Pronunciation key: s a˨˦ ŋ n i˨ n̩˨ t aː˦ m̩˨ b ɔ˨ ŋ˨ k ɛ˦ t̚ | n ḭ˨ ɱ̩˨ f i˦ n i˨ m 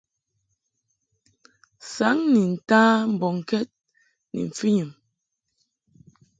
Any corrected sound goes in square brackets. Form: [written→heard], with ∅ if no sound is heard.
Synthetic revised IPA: s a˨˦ ŋ n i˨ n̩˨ t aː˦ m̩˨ b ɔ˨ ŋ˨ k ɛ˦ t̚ | n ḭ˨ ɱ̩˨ f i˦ [n→ɲ] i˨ m